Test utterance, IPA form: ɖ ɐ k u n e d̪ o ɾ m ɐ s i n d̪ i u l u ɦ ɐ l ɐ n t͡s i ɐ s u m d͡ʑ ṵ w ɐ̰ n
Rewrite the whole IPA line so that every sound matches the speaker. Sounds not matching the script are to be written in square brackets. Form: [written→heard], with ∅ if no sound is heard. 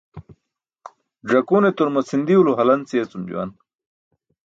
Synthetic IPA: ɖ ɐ k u n e [d̪→t̪] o ɾ m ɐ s i n d̪ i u l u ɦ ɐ l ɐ n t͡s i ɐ [s→t͡s] u m d͡ʑ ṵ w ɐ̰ n